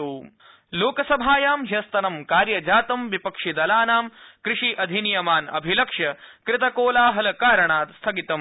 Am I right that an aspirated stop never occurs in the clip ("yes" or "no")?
no